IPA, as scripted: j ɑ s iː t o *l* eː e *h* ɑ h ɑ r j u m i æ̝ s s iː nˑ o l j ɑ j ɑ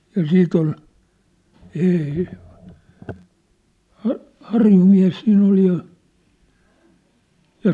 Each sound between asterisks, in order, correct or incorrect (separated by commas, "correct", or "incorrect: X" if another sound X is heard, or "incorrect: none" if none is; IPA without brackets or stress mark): correct, correct